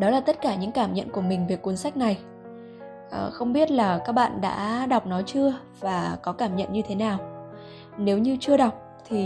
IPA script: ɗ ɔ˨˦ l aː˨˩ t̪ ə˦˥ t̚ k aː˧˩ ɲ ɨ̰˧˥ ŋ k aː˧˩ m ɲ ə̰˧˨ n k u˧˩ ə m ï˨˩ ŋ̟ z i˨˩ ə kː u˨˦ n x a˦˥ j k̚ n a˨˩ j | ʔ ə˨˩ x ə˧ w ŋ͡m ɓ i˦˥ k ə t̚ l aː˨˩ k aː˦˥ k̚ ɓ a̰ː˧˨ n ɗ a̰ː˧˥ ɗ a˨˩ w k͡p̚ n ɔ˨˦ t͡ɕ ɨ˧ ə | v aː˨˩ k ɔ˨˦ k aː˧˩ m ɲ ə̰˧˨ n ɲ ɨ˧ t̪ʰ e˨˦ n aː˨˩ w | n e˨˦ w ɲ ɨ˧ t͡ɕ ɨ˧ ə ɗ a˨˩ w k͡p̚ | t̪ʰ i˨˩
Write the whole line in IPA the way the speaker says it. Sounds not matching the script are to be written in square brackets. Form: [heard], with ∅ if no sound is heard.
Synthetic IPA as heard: ɗ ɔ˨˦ l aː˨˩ t̪ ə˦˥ t̚ k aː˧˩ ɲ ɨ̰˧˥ ŋ k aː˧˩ m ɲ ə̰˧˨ n k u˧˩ ə m ï˨˩ ŋ̟ [v] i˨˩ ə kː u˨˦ n [s] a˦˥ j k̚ n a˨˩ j | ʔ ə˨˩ x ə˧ w ŋ͡m ɓ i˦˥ [∅] ə t̚ l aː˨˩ k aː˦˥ k̚ ɓ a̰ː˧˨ n ɗ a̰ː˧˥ ɗ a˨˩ w k͡p̚ n ɔ˨˦ t͡ɕ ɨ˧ ə | v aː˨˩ k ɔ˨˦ k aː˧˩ m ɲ ə̰˧˨ n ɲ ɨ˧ t̪ʰ e˨˦ n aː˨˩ w | n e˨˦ w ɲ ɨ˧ t͡ɕ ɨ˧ ə ɗ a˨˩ w k͡p̚ | t̪ʰ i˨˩